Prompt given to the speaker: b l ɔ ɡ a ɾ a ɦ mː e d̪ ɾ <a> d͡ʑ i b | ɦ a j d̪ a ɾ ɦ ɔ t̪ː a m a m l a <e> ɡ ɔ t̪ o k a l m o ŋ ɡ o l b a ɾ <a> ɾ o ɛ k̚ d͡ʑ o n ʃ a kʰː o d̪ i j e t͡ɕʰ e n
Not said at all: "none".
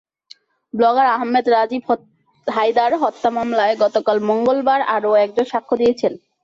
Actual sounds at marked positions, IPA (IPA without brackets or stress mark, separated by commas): a, e, a